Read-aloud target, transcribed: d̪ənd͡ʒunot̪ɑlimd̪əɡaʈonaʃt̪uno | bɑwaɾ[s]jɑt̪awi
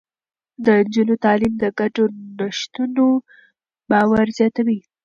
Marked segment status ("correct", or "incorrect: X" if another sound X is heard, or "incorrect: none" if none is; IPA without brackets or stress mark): incorrect: z